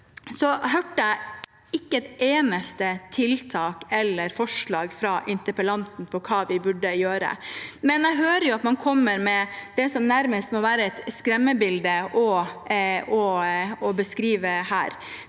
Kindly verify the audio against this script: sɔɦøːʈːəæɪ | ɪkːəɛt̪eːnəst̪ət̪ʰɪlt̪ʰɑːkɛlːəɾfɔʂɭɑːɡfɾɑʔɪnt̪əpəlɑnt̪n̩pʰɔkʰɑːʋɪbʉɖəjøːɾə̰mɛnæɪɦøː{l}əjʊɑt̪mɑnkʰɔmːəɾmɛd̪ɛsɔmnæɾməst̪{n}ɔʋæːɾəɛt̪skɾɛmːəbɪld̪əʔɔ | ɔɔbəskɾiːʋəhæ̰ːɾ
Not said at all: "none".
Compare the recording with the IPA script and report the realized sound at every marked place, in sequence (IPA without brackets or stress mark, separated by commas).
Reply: ɾ, m